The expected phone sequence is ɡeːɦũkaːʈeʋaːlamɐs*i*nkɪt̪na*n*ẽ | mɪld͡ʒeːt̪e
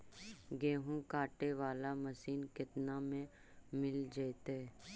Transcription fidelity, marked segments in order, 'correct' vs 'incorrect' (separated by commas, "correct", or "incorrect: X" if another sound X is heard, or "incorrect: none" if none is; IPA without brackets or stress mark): incorrect: iː, incorrect: m